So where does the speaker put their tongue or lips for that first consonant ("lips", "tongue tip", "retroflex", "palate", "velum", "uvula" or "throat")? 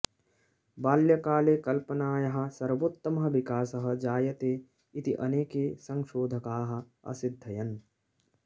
lips